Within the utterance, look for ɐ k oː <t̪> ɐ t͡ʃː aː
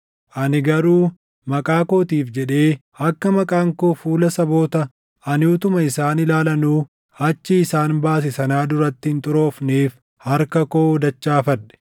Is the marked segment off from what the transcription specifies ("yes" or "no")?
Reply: yes